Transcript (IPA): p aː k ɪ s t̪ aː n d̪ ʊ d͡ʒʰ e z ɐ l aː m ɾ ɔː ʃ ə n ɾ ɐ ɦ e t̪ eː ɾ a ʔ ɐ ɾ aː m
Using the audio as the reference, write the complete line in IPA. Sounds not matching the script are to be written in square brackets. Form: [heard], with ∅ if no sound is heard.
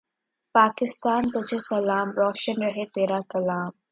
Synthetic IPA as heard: p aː k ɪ s t̪ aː n [t̪] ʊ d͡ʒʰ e [s] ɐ l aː m ɾ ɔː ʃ ə n ɾ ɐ ɦ e t̪ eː ɾ a [k] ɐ [l] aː m